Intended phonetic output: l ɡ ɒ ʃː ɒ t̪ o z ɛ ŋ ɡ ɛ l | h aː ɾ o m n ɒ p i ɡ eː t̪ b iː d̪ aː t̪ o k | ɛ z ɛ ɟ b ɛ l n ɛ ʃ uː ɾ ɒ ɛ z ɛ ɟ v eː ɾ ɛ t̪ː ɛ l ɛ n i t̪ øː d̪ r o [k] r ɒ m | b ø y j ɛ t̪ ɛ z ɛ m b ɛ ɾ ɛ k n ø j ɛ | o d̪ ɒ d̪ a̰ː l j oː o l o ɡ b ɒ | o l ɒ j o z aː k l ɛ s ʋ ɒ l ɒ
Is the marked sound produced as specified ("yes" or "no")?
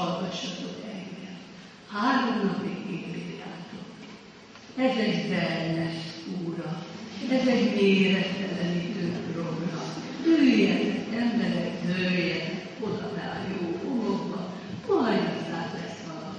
no